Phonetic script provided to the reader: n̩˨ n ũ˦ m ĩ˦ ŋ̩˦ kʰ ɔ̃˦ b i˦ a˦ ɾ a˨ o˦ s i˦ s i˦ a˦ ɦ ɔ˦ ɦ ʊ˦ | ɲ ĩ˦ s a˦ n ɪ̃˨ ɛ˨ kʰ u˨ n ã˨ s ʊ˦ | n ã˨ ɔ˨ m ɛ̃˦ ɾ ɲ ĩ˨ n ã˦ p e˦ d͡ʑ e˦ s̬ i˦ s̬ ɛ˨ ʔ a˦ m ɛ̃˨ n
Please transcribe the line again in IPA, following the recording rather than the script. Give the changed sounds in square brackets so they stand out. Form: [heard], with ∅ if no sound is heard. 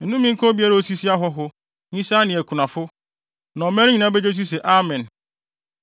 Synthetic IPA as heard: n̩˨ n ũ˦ m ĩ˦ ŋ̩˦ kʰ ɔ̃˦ b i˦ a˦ ɾ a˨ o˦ s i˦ s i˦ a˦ ɦ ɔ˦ ɦ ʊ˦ | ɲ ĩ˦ s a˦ n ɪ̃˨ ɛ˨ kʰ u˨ n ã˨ [f] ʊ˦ | n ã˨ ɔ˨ m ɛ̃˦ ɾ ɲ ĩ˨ n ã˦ [b] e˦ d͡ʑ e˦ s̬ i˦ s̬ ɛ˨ ʔ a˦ m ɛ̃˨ n

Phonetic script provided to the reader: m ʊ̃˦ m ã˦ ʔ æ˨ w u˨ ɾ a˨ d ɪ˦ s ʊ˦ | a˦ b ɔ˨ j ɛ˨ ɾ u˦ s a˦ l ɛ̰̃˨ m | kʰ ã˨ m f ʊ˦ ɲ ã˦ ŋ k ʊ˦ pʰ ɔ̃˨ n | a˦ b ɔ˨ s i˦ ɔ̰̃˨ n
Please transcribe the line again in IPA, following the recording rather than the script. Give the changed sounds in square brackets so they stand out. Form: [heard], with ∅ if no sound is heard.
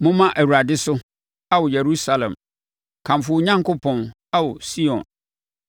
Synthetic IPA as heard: m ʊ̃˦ m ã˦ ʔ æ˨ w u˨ ɾ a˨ d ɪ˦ s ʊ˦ | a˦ [w] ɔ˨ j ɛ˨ ɾ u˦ s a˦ l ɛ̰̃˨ m | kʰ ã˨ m f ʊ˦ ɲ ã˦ ŋ k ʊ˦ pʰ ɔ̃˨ n | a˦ [w] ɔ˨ s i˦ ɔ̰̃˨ n

